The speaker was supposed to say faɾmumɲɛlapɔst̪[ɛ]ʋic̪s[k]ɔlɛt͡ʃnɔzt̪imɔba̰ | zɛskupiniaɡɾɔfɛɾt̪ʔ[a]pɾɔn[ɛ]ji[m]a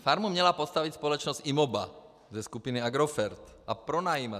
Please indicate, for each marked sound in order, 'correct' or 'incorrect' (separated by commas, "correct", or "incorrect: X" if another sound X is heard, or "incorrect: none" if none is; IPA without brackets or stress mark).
incorrect: a, incorrect: p, correct, incorrect: a, correct